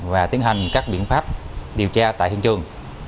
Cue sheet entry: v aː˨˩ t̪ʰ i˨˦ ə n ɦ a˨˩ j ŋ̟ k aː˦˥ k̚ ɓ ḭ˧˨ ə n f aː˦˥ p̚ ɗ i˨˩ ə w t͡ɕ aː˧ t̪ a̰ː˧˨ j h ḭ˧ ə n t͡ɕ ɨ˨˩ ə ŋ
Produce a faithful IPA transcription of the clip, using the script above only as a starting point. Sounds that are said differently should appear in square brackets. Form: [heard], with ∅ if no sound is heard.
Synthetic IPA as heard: v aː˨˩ [t̪] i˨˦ ə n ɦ a˨˩ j ŋ̟ k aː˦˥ k̚ ɓ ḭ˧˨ ə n f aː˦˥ p̚ ɗ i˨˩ ə w t͡ɕ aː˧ t̪ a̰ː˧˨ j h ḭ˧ ə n t͡ɕ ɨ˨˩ ə ŋ